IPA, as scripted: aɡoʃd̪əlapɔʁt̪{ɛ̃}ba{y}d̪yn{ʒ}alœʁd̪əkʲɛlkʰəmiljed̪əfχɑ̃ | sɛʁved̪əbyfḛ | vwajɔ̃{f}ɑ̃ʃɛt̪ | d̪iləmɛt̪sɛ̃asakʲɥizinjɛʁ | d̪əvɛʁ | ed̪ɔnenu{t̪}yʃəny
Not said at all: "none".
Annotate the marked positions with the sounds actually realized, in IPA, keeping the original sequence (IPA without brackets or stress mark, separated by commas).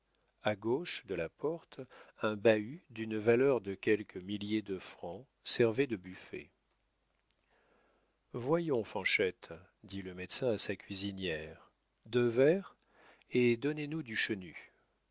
ɛ̃, y, v, f, d̪